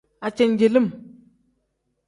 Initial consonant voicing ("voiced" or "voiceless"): voiceless